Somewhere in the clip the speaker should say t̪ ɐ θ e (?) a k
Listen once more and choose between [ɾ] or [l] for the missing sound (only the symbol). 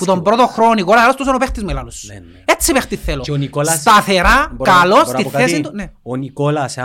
ɾ